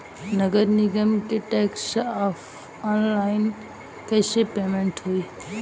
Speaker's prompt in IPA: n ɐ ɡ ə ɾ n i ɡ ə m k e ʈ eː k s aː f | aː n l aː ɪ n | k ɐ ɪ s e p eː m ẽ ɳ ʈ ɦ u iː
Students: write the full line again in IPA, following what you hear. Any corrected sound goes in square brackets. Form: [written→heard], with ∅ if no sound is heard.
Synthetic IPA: n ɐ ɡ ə ɾ n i ɡ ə m k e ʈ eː k s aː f | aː n l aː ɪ n | k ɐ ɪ s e p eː m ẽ ɳ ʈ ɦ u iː

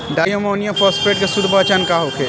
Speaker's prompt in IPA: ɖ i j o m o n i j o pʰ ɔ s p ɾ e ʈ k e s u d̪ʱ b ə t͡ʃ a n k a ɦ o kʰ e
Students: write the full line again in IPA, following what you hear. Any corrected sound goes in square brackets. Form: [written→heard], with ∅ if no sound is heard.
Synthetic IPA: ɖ [i→a] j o m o n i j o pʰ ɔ s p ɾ e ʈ k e s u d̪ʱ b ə t͡ʃ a n k a ɦ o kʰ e

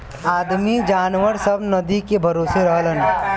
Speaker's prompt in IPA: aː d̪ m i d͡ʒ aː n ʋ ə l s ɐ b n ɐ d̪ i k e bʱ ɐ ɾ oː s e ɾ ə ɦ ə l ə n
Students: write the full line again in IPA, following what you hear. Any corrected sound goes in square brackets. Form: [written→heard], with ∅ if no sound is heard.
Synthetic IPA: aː d̪ m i d͡ʒ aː n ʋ ə [l→ɾ] s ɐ b n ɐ d̪ i k e bʱ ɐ ɾ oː s e ɾ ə ɦ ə l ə n

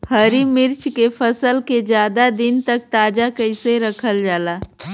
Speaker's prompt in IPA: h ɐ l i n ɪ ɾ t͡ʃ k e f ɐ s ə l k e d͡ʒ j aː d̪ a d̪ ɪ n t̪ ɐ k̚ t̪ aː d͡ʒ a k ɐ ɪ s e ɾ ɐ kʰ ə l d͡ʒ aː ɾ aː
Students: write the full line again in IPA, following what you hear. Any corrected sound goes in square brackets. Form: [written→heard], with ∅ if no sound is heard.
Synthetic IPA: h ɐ [l→ɾ] i [n→m] ɪ ɾ t͡ʃ k e f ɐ s ə l k e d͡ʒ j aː d̪ a d̪ ɪ n t̪ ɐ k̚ t̪ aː d͡ʒ a k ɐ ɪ s e ɾ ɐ kʰ ə l d͡ʒ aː [ɾ→l] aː

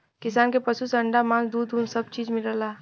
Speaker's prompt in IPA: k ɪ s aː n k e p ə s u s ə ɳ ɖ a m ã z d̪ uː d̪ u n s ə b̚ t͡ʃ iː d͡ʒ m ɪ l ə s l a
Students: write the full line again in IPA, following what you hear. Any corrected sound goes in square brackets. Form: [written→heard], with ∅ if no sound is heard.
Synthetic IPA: k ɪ s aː n k e p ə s u s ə ɳ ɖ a m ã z d̪ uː d̪ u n s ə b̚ t͡ʃ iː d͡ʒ m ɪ l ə [s→∅] l a

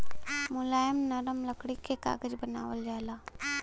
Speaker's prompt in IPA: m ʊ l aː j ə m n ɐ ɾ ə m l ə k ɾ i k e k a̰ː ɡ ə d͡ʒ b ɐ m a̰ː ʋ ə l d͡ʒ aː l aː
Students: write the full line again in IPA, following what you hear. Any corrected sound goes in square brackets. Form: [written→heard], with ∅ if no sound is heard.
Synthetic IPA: m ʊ l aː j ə m n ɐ ɾ ə m l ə k [ɾ→ɽ] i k e k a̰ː ɡ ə d͡ʒ b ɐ [m→n] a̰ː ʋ ə l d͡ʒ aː l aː

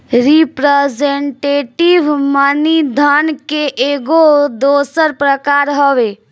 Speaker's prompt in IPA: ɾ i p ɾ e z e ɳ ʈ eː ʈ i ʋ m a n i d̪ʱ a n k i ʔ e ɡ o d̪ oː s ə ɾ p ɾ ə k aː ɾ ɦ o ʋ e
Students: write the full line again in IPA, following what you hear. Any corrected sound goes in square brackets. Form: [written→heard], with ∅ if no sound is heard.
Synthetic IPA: ɾ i p ɾ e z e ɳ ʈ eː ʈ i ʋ m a n i d̪ʱ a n k [i→e] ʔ e ɡ o d̪ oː s ə ɾ p ɾ ə k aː ɾ ɦ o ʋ e

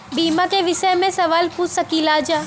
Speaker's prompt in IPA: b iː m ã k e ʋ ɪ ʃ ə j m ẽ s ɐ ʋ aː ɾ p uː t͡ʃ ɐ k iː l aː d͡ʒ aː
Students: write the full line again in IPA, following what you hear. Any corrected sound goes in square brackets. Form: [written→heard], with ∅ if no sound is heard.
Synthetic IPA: b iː m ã k e ʋ ɪ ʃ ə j m ẽ s ɐ ʋ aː [ɾ→l] p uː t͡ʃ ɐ k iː l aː d͡ʒ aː

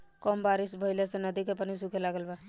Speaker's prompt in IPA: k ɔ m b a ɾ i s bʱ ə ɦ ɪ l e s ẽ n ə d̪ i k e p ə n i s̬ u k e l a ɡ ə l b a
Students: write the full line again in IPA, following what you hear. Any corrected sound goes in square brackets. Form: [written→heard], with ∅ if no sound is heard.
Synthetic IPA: k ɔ m b a ɾ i s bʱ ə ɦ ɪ l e s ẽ n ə d̪ i k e p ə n i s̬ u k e l a ɡ ə l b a

